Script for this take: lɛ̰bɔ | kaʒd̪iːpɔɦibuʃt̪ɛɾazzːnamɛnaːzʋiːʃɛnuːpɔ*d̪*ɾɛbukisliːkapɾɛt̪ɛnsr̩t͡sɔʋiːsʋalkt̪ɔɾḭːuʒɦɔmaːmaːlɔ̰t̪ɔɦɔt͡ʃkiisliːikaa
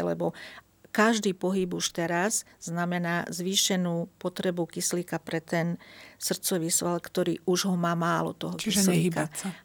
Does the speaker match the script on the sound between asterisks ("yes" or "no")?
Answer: no